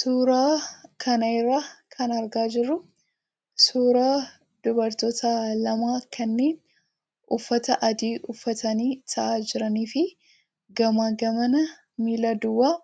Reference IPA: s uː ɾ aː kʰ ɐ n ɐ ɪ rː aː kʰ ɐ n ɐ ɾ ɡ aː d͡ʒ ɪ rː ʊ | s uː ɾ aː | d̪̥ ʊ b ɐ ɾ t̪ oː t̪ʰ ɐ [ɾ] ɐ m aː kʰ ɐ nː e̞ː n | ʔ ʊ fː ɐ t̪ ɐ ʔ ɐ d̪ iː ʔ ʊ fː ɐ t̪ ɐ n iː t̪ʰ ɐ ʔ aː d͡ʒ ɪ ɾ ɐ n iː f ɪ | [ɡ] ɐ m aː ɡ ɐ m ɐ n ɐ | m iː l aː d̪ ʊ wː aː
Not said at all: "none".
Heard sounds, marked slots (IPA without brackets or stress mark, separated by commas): l, ɡ